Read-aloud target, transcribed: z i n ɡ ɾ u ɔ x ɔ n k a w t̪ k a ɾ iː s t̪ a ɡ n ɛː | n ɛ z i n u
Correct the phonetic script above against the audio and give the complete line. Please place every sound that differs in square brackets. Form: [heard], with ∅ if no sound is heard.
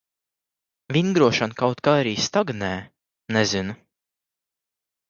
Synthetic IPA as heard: [v] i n ɡ ɾ u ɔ [ʃ] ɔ n k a w t̪ k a ɾ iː s t̪ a ɡ n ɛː | n ɛ z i n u